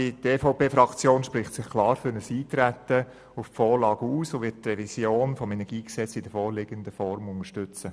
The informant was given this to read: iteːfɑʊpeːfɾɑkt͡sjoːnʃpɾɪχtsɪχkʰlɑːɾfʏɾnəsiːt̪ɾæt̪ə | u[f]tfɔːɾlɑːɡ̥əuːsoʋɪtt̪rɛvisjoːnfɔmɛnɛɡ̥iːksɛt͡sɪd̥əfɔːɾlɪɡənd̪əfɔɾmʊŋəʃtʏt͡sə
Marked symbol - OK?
yes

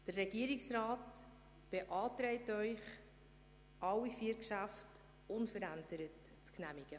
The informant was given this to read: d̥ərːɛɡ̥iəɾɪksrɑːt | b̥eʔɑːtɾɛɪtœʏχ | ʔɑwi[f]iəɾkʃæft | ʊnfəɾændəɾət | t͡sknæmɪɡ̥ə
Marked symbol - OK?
yes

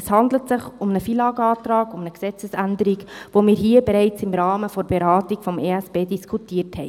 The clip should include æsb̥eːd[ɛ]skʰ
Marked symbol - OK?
no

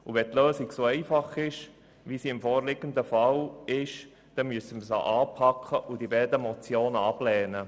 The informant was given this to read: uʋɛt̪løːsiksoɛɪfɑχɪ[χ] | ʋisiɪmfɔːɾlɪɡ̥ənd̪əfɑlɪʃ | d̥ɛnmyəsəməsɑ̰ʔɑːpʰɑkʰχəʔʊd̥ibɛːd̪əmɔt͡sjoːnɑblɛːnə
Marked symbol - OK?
no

